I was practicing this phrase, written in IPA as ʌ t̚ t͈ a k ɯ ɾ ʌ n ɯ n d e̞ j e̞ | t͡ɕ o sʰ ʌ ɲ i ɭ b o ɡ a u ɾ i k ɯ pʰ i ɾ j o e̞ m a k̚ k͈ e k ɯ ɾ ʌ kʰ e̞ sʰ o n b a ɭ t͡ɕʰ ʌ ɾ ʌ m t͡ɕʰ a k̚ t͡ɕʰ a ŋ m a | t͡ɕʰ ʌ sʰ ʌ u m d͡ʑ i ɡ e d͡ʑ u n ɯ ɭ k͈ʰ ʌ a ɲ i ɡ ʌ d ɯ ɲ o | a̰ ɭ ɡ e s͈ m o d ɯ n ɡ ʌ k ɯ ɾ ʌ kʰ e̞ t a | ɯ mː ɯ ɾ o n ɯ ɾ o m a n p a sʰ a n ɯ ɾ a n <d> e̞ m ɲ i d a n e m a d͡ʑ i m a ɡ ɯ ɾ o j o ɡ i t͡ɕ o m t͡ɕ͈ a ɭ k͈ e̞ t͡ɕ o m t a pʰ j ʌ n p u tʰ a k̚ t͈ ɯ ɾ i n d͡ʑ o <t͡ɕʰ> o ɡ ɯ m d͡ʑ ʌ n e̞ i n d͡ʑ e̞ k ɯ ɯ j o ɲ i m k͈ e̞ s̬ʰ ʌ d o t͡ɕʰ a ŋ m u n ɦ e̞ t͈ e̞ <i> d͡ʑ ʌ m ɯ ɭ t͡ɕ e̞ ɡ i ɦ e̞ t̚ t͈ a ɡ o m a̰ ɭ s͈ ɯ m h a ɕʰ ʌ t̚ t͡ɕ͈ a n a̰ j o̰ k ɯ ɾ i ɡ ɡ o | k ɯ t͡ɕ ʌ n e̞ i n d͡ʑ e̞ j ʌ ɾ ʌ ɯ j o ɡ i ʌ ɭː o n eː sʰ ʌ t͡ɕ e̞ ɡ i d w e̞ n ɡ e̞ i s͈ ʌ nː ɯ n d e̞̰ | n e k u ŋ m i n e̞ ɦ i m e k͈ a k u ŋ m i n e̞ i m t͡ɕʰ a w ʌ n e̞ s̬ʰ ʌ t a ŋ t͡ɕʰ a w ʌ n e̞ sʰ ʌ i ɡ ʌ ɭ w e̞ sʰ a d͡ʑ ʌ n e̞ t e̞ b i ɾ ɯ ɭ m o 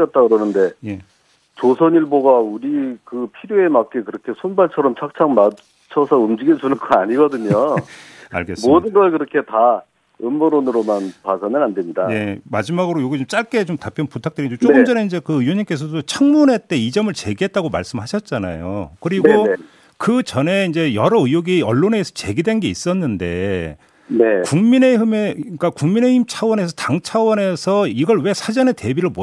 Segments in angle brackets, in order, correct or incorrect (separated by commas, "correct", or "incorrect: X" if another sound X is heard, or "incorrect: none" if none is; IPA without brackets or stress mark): correct, incorrect: t͡ɕ, correct